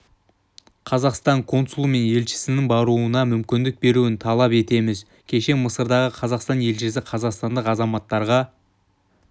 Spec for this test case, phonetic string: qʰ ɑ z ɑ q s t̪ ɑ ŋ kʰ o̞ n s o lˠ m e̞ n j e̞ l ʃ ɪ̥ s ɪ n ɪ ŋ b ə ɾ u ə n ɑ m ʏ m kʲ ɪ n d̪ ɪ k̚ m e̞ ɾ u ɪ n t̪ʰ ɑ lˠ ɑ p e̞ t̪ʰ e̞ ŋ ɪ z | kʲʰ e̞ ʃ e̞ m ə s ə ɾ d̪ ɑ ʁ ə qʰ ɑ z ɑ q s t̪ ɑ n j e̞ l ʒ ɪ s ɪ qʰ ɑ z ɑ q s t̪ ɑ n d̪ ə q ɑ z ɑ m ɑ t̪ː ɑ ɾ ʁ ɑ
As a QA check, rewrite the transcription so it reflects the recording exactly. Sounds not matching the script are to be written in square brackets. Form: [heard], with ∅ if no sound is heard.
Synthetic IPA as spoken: qʰ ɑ z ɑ q s t̪ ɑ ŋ kʰ o̞ n s [u] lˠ m e̞ n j e̞ l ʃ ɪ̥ s ɪ n ɪ ŋ b [ɑ] ɾ u ə n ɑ m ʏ m kʲ ɪ n d̪ ɪ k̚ [b] e̞ ɾ u ɪ n t̪ʰ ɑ lˠ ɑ p e̞ [t̪] e̞ [m] ɪ z | kʲʰ e̞ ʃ e̞ m ə s ə ɾ d̪ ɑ ʁ ə qʰ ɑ z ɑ q s t̪ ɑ n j e̞ l ʒ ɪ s ɪ qʰ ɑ z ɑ q s t̪ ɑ n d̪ ə q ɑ z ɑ m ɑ t̪ː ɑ ɾ ʁ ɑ

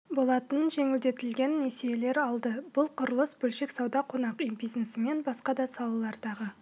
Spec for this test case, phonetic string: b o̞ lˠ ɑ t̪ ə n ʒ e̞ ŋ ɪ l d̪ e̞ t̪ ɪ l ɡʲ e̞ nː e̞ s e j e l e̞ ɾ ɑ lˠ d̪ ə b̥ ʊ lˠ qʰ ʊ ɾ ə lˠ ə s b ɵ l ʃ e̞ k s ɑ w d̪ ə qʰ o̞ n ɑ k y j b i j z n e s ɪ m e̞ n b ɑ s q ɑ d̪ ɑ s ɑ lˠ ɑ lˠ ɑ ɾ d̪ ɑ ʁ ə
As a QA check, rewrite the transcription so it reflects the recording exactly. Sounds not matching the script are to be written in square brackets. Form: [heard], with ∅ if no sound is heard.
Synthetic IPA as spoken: b o̞ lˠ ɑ t̪ ə n ʒ e̞ ŋ ɪ l d̪ e̞ t̪ ɪ l ɡʲ e̞ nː e̞ s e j e l e̞ ɾ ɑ lˠ d̪ ə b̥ ʊ lˠ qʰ ʊ ɾ ə lˠ ə s b ɵ l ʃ e̞ k s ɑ w d̪ [ɑ] qʰ o̞ n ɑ [q] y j b i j z n e s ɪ m e̞ n b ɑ s q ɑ d̪ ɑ s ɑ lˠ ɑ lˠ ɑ ɾ d̪ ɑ ʁ ə

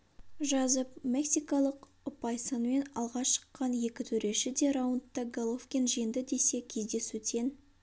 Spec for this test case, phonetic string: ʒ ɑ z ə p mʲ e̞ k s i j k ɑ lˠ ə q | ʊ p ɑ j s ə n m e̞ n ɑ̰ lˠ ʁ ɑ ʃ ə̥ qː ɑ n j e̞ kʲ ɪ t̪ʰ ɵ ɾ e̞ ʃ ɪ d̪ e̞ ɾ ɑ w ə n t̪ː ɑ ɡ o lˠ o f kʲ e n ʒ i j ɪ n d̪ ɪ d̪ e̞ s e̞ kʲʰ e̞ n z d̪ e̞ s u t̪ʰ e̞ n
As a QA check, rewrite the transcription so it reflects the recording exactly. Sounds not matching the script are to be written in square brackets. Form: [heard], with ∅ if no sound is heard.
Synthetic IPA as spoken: ʒ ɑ z ə p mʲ e̞ k s i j k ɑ lˠ ə q | ʊ p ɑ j s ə n m e̞ n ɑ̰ lˠ ʁ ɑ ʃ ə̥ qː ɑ n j e̞ kʲ ɪ t̪ʰ ɵ ɾ e̞ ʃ ɪ d̪ e̞ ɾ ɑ w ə n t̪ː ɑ ɡ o lˠ o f kʲ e n ʒ i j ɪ n d̪ ɪ d̪ e̞ s e̞ kʲʰ e̞ [∅] z d̪ e̞ s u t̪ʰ e̞ n

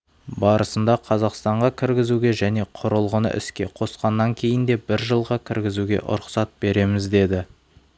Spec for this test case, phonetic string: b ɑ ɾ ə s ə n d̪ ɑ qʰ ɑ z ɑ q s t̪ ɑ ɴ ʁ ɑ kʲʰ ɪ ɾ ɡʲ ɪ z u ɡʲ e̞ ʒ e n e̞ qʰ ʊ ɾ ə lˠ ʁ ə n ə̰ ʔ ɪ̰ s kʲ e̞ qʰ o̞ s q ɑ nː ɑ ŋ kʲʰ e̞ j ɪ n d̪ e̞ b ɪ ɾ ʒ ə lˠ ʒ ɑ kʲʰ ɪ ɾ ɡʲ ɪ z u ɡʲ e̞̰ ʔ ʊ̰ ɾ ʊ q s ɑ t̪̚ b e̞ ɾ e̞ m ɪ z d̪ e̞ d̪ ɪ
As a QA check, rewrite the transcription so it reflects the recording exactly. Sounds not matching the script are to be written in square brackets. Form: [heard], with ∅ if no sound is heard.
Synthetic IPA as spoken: b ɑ ɾ ə s ə n d̪ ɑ qʰ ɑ z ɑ q s t̪ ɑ ɴ ʁ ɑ kʲʰ ɪ ɾ ɡʲ ɪ z u ɡʲ e̞ ʒ [æ] n e̞ qʰ ʊ ɾ ə lˠ ʁ ə n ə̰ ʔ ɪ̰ s kʲ e̞ qʰ o̞ s q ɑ nː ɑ ŋ kʲʰ e̞ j ɪ n d̪ e̞ b ɪ ɾ ʒ ə lˠ [ʁ] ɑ kʲʰ ɪ ɾ ɡʲ ɪ z u ɡʲ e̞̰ ʔ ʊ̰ ɾ ʊ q s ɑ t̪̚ b e̞ ɾ e̞ m ɪ z d̪ e̞ d̪ ɪ

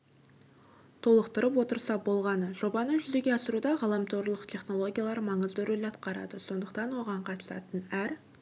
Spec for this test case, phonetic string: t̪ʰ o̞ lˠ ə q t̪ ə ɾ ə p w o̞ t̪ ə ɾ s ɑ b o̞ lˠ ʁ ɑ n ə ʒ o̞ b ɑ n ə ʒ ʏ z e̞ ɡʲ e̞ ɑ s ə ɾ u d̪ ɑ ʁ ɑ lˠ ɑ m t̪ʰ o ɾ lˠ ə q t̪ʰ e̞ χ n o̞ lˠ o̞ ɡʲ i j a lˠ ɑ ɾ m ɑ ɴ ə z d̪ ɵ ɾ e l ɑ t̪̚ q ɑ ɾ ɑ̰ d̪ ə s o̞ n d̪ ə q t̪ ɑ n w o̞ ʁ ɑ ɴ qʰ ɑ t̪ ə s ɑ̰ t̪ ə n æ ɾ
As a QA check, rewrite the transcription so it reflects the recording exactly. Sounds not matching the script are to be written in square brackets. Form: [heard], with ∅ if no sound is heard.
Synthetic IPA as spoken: t̪ʰ o̞ lˠ ə q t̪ ə ɾ ə p w o̞ t̪ ə ɾ s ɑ b o̞ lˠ ʁ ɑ n ə ʒ o̞ b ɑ n ə ʒ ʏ z e̞ ɡʲ e̞ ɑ s ə ɾ u d̪ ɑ ʁ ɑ lˠ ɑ m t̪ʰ o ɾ lˠ ə q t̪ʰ e̞ χ n o̞ lˠ o̞ ɡʲ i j a lˠ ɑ ɾ m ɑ ɴ ə z d̪ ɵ ɾ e l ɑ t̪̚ q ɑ ɾ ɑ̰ d̪ ə s o̞ n d̪ ə q t̪ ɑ n w o̞ ʁ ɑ ɴ qʰ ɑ t̪ ə s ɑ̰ t̪ ə n æ ɾ

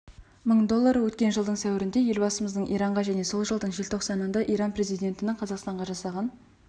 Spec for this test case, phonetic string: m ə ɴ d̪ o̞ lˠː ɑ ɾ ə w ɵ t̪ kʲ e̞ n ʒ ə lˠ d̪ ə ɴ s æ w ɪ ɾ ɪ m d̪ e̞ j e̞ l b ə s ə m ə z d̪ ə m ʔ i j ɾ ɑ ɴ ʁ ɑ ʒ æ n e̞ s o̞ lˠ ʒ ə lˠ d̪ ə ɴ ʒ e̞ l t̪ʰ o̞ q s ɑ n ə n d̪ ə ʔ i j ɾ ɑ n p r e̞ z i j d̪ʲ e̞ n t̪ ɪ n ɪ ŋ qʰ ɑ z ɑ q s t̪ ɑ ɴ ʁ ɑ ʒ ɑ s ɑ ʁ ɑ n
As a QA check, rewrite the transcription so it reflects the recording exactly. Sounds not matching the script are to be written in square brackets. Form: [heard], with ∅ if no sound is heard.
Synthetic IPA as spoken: m ə ɴ d̪ o̞ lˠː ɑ ɾ ə w ɵ t̪ kʲ e̞ n ʒ ə lˠ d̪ ə ɴ s æ w ɪ ɾ ɪ [n] d̪ e̞ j e̞ l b [ɑ] s ə m ə z d̪ ə [ɴ] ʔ i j ɾ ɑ ɴ ʁ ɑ ʒ æ n e̞ s o̞ lˠ ʒ ə lˠ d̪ ə ɴ ʒ e̞ l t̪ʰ o̞ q s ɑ n ə n d̪ [ɑ] ʔ i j ɾ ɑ n p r e̞ z i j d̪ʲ e̞ n t̪ ɪ n ɪ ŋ qʰ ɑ z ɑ q s t̪ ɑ ɴ ʁ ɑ ʒ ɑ s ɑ ʁ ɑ n

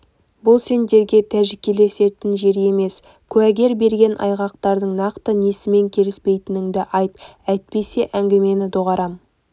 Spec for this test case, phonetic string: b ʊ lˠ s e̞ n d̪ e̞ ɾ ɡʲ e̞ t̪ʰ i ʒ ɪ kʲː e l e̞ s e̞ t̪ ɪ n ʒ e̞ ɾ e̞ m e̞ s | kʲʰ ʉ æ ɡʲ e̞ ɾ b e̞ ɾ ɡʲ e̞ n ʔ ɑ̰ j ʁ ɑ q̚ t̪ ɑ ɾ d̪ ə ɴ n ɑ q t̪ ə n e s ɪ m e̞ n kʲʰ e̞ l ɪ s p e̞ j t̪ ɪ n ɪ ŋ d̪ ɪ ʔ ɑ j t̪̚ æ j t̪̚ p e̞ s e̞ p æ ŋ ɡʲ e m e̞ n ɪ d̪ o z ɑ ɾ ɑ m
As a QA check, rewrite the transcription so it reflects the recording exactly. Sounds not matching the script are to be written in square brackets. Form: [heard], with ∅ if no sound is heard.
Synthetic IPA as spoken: b ʊ lˠ s e̞ n d̪ e̞ ɾ ɡʲ e̞ t̪ʰ [æ] ʒ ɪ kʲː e l e̞ s e̞ t̪ ɪ n ʒ e̞ ɾ e̞ m e̞ s | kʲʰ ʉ æ ɡʲ e̞ ɾ b e̞ ɾ ɡʲ e̞ n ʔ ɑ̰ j ʁ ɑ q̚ t̪ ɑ ɾ d̪ ə ɴ n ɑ q t̪ ə n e s ɪ m e̞ [ŋ] kʲʰ e̞ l ɪ s p e̞ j t̪ ɪ n ɪ ŋ d̪ ɪ ʔ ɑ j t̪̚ æ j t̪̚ p e̞ s e̞ [ʔ] æ ŋ ɡʲ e m e̞ n ɪ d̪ o [ʁ] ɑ ɾ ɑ m

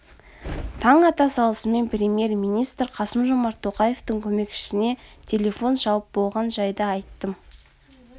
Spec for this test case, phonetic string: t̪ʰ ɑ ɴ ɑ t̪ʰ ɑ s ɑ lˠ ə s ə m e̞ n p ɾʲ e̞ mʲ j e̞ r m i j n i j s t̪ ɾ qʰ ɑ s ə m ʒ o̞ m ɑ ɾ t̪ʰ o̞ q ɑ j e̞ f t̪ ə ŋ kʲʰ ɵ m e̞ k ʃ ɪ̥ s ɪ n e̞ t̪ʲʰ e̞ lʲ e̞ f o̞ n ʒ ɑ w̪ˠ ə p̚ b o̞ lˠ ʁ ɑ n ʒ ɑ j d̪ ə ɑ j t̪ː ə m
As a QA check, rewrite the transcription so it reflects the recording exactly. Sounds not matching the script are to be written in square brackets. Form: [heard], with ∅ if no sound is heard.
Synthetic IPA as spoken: t̪ʰ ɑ ɴ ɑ [t̪] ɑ s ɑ lˠ ə s ə m e̞ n p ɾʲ e̞ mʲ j e̞ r m i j n i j s t̪ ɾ qʰ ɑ s ə m ʒ o̞ m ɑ ɾ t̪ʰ o̞ q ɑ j e̞ f t̪ ə ŋ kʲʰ ɵ m e̞ k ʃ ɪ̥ s ɪ n e̞ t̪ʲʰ e̞ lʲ e̞ f o̞ n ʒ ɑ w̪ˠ ə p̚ b o̞ lˠ ʁ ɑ n ʒ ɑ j d̪ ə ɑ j t̪ː ə m

